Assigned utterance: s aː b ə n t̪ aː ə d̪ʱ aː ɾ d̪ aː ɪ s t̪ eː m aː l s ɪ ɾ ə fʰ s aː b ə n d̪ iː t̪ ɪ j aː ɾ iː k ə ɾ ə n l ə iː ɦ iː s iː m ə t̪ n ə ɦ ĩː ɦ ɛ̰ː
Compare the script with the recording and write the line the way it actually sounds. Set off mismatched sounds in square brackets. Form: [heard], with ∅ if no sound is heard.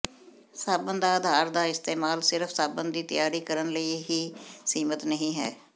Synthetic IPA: s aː b ə n [d̪] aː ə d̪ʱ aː ɾ d̪ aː ɪ s t̪ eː m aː l s ɪ ɾ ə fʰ s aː b ə n d̪ iː t̪ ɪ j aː ɾ iː k ə ɾ ə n l ə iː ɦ iː s iː m ə t̪ n ə ɦ ĩː ɦ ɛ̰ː